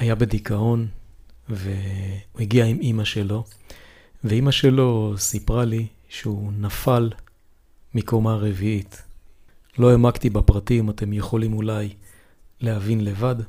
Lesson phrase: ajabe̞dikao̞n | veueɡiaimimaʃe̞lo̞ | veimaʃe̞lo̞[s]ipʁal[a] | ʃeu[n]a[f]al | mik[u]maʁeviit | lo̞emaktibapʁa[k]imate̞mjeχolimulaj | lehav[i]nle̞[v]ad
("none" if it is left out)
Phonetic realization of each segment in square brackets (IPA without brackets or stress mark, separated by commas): s, i, n, f, o, t, i, v